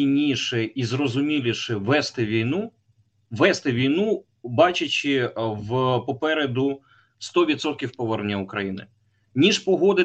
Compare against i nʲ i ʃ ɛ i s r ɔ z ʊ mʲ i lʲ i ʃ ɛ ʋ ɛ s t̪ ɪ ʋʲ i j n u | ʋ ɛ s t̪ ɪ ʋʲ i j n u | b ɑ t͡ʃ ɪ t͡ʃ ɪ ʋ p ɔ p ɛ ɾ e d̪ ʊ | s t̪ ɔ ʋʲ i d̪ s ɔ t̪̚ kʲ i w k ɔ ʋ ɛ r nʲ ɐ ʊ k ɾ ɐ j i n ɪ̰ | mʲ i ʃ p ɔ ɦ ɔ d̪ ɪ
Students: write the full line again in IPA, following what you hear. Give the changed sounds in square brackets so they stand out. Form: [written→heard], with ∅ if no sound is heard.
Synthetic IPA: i nʲ i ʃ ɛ i [s→z] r ɔ z ʊ mʲ i lʲ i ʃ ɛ ʋ ɛ s t̪ ɪ ʋʲ i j n u | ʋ ɛ s t̪ ɪ ʋʲ i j n u | b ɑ t͡ʃ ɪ t͡ʃ ɪ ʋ p ɔ p ɛ ɾ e d̪ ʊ | s t̪ ɔ ʋʲ i d̪ s ɔ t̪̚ kʲ i w [k→p] ɔ ʋ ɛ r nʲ ɐ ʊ k ɾ ɐ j i n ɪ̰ | [mʲ→nʲ] i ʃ p ɔ ɦ ɔ d̪ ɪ